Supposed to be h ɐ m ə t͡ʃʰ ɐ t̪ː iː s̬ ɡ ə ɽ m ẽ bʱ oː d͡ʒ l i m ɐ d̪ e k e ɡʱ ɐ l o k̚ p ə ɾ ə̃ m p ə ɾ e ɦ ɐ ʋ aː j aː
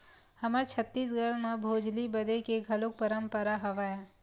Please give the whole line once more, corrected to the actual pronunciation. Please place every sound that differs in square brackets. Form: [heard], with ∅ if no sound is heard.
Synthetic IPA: h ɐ m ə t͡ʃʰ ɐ t̪ː iː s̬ ɡ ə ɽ m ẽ bʱ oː d͡ʒ l i [b] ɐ d̪ e k e ɡʱ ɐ l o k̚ p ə ɾ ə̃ m p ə ɾ [a] ɦ ɐ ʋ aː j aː